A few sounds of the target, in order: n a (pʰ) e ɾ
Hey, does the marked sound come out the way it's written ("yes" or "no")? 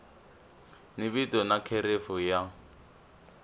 no